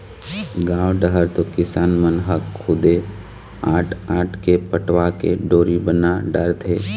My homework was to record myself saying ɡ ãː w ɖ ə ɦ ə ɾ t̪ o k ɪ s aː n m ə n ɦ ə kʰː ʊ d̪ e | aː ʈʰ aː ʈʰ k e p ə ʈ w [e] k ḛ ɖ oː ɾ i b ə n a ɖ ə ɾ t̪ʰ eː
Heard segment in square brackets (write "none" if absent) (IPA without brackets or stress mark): a